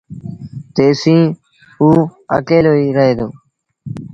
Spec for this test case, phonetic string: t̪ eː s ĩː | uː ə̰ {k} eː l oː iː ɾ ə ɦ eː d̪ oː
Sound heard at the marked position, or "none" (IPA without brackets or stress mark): k